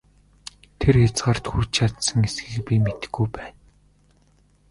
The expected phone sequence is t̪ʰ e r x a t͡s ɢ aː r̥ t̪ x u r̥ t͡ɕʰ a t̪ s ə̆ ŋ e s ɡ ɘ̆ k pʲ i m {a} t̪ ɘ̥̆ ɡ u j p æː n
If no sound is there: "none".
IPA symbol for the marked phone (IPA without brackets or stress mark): e